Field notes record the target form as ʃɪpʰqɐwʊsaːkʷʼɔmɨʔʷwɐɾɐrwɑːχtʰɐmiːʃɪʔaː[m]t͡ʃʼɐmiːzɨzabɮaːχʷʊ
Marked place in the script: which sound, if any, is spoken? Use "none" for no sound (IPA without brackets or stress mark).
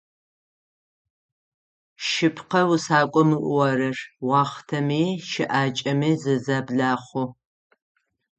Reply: none